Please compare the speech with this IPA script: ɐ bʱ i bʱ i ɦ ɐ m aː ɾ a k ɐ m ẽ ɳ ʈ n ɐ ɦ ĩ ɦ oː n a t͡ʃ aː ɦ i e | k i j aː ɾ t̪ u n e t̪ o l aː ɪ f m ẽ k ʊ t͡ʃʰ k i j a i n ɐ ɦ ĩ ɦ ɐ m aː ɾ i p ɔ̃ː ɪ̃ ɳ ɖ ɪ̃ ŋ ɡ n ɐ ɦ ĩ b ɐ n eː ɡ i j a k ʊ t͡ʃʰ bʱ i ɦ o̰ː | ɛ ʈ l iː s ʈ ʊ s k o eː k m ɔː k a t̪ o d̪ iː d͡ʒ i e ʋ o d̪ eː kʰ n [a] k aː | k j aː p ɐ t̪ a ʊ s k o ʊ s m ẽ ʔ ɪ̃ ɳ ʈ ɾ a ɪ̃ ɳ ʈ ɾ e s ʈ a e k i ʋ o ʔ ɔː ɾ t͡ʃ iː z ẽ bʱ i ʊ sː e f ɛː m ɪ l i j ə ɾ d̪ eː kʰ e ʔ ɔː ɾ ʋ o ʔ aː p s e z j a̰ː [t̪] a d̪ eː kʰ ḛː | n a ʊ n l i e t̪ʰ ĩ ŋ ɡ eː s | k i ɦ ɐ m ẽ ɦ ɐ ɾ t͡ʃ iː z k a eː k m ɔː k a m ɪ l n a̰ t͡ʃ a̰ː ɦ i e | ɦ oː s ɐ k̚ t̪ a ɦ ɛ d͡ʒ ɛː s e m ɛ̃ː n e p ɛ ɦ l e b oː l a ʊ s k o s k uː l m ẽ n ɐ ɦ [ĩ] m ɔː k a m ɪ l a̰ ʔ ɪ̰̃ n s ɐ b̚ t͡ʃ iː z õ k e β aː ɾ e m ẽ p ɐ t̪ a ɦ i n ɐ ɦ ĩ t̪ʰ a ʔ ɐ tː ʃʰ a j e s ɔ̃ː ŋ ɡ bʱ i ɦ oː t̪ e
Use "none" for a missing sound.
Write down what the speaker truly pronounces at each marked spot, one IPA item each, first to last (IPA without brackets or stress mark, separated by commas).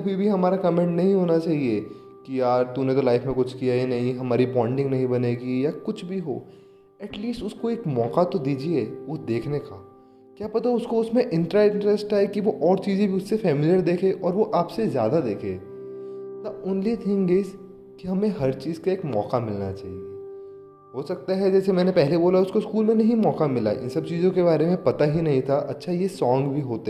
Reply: e, d̪, ĩ